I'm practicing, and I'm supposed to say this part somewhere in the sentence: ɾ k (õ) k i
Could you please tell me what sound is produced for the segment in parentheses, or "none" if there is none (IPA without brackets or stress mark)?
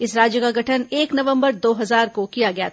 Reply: o